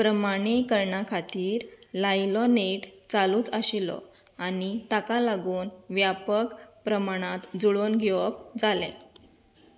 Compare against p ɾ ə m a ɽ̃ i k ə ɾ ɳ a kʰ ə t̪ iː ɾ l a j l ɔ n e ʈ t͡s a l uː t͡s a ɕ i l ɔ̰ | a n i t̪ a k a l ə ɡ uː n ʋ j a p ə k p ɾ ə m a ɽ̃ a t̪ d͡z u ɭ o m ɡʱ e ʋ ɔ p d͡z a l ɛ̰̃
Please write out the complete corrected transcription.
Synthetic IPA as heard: p ɾ ə m a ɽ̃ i k ə ɾ ɳ a kʰ a t̪ iː ɾ l a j l ɔ n e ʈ t͡s a l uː t͡s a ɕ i l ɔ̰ | a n i t̪ a k a l a ɡ uː n ʋ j a p ə k p ɾ ə m a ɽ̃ a t̪ d͡z u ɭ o n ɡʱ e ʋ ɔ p d͡z a l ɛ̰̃